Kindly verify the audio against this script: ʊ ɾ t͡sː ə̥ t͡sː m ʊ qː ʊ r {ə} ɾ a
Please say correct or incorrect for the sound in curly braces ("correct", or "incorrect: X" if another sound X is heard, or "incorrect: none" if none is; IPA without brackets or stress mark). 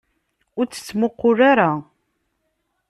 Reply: incorrect: a